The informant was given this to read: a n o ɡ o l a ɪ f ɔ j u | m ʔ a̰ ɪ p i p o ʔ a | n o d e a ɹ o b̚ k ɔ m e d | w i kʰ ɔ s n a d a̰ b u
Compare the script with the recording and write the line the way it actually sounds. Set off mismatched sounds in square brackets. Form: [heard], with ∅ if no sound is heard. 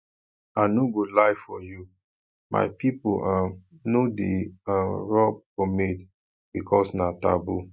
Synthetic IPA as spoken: a n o ɡ o l a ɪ f ɔ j u | m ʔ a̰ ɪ p i p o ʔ a | n o d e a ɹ [ɔ] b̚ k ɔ m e d | [b] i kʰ ɔ s n a [t] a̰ b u